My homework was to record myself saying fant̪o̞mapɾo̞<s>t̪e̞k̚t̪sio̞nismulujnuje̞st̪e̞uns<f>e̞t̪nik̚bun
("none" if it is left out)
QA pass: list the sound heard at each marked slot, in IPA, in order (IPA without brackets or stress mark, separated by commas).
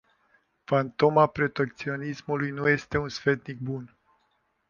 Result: none, f